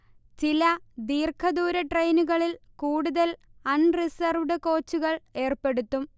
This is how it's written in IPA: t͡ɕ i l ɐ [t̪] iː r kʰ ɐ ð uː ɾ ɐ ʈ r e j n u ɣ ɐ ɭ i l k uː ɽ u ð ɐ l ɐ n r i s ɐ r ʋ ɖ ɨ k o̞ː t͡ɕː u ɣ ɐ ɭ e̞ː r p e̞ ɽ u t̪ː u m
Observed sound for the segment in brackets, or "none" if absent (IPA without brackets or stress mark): d̪